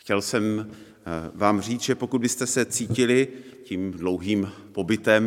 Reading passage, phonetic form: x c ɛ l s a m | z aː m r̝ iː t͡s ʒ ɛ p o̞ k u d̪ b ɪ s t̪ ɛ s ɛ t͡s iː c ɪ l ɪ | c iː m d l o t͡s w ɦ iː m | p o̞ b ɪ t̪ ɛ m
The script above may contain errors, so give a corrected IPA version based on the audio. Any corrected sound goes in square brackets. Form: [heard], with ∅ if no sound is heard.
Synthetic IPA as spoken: x c ɛ l s [ɛ] m | [v] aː m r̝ iː t͡s ʒ ɛ p o̞ k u d̪ b ɪ s t̪ ɛ s ɛ t͡s iː c ɪ l ɪ | c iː m d l o [∅] w ɦ iː m | p o̞ b ɪ t̪ ɛ m